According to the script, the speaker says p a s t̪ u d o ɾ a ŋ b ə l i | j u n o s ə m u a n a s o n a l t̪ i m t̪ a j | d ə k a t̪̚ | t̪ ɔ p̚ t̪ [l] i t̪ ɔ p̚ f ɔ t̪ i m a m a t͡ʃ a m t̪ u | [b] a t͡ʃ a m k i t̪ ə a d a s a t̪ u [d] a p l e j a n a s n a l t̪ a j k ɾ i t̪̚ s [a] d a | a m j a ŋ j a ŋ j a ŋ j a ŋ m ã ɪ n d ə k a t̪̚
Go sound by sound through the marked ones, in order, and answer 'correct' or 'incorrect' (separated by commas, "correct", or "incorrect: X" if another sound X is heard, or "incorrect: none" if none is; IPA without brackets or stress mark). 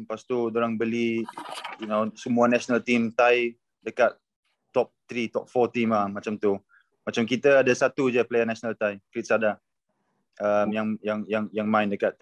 incorrect: ɾ, incorrect: m, incorrect: d͡ʒ, correct